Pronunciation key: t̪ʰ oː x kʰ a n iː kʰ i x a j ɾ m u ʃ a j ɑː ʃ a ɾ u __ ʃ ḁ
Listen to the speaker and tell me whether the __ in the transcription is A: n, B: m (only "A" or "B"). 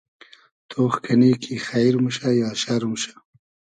B